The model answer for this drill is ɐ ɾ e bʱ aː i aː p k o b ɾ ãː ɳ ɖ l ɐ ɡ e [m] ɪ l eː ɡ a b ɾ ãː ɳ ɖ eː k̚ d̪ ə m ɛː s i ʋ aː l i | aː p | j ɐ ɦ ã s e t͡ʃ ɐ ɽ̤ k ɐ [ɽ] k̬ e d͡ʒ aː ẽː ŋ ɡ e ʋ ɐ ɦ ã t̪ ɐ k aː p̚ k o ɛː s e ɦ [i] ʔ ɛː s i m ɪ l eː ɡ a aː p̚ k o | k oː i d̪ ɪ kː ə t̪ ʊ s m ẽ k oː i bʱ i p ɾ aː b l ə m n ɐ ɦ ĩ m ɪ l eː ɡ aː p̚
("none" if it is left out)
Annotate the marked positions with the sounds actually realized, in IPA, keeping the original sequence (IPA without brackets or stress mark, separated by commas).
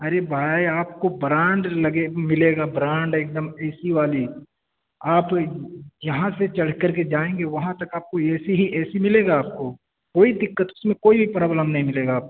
m, ɾ, i